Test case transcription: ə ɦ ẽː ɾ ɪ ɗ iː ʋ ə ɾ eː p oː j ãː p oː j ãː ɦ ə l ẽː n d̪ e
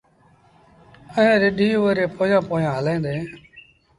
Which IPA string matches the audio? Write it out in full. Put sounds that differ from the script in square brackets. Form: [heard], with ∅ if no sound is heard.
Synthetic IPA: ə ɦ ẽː ɾ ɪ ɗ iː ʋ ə ɾ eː p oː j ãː p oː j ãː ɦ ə l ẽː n d̪ e